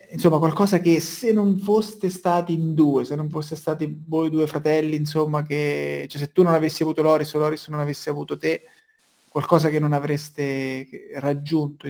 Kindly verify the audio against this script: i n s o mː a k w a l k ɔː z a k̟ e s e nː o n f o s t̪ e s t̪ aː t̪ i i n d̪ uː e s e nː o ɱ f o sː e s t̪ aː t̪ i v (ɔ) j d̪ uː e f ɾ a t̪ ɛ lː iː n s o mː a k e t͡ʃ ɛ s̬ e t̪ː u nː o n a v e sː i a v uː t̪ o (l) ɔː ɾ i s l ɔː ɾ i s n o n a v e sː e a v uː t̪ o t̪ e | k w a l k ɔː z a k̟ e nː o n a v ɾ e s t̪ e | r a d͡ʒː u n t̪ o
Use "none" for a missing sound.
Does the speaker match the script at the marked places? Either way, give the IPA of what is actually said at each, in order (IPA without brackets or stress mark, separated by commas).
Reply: o, l